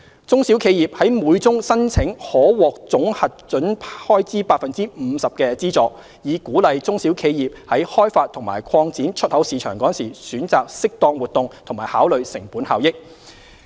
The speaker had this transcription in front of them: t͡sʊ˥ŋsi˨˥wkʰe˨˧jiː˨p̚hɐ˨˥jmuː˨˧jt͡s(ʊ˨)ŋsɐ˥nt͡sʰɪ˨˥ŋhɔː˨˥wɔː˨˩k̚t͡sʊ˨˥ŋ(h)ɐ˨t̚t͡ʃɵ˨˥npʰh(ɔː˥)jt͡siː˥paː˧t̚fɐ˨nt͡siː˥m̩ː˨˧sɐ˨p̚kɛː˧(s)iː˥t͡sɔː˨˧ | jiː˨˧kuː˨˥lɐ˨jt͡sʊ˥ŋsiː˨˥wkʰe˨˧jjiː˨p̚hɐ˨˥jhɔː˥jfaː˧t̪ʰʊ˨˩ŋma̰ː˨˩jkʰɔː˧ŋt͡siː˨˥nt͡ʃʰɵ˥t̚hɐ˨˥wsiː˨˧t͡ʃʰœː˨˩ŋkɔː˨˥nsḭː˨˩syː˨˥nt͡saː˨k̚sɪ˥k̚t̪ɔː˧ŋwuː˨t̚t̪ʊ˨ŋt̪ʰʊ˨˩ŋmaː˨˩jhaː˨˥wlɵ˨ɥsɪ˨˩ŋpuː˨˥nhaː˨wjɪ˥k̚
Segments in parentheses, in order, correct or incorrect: incorrect: ʊ˥, correct, correct, incorrect: t͡s

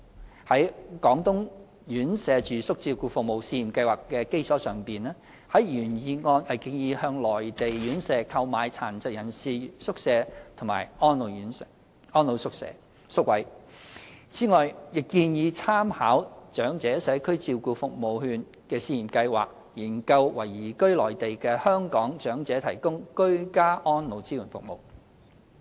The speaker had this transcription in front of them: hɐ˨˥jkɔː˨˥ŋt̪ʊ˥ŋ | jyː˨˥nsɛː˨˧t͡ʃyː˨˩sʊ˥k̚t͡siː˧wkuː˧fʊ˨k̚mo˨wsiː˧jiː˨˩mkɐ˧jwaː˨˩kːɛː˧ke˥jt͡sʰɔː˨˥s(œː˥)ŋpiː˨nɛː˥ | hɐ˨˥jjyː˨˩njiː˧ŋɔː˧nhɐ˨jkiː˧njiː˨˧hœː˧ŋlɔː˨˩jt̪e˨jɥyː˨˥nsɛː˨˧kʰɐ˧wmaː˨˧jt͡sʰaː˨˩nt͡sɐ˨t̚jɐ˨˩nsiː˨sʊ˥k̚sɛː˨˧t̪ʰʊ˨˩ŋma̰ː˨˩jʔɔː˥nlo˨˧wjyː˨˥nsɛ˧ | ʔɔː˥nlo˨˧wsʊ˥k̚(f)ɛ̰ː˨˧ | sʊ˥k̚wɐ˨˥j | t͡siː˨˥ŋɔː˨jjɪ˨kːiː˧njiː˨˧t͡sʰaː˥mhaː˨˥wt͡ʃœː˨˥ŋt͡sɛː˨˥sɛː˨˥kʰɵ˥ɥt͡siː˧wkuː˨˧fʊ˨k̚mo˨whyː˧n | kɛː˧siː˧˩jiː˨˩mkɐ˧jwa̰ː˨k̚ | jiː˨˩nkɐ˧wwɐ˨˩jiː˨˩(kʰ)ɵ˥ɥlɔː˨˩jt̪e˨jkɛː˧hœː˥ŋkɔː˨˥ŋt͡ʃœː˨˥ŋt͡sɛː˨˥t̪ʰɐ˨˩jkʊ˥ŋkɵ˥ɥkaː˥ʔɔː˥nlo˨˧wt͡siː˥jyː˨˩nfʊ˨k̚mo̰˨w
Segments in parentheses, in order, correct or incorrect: incorrect: œː˨˩, incorrect: s, incorrect: k

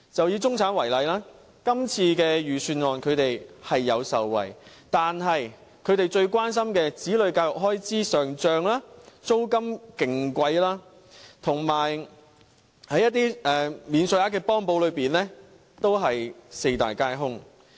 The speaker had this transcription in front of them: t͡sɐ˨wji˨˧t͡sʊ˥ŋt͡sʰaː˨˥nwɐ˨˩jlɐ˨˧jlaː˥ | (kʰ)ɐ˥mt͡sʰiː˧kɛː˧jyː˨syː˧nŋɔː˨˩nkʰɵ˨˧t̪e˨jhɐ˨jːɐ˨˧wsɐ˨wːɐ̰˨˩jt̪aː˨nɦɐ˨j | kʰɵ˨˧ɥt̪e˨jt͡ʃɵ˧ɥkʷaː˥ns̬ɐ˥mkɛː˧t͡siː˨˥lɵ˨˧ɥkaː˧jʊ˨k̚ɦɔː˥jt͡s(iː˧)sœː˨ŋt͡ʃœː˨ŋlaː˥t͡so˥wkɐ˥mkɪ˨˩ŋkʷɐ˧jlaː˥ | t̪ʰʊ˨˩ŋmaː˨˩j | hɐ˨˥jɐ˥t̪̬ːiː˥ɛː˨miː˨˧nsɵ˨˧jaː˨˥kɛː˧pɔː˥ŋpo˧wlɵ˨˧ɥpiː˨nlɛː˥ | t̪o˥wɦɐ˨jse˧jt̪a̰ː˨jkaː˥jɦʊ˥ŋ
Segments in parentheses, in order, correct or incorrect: incorrect: k, incorrect: iː˥

